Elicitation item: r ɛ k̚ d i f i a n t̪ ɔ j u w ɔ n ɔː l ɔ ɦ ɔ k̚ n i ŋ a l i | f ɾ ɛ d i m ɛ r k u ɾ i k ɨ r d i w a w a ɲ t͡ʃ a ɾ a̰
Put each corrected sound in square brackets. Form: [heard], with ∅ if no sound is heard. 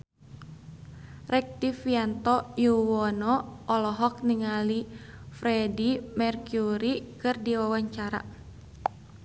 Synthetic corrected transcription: r ɛ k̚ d i f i a n t̪ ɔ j u w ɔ n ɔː l ɔ ɦ ɔ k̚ n i ŋ a l i | f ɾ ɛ d i m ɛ r k u ɾ i k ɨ r d i w a w a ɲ t͡ʃ a ɾ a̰